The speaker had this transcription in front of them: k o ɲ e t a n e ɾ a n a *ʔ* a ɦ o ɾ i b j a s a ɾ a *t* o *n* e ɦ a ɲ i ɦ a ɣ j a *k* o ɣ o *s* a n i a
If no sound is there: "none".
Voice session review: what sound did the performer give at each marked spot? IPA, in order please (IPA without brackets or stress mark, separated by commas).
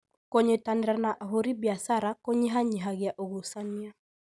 ʔ, k, ɲ, ʔ, s